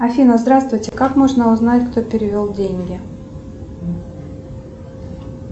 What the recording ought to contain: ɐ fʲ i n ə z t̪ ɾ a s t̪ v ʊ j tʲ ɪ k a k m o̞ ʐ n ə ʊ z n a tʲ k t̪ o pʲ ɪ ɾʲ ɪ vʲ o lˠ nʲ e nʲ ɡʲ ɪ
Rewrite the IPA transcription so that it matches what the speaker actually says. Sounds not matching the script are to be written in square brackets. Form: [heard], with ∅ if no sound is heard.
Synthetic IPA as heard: ɐ fʲ i n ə z [d̪] ɾ a s t̪ v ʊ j tʲ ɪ k a k m o̞ ʐ n ə ʊ z n a tʲ k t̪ o pʲ ɪ ɾʲ ɪ vʲ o lˠ [dʲ] e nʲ ɡʲ ɪ